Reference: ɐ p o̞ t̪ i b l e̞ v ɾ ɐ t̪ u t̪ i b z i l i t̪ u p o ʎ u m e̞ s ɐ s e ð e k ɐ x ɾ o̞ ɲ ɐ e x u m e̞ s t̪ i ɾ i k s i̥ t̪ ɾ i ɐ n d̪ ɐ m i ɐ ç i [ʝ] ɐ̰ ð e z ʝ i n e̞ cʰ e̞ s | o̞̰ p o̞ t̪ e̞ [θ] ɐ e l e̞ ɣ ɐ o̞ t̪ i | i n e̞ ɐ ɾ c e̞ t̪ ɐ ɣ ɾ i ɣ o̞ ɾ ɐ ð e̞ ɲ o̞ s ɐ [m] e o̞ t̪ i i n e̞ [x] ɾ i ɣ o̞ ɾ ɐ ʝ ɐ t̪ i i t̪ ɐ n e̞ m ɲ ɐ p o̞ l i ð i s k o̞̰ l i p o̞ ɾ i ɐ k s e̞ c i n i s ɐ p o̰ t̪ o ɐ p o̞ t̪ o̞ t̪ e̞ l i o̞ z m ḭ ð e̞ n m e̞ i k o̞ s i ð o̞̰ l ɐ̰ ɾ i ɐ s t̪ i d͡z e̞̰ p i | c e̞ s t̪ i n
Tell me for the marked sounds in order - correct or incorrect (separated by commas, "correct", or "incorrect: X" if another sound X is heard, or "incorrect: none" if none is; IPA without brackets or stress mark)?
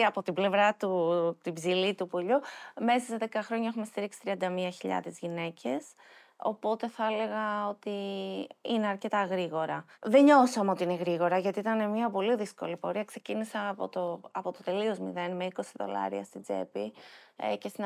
incorrect: ʎ, correct, correct, incorrect: ɣ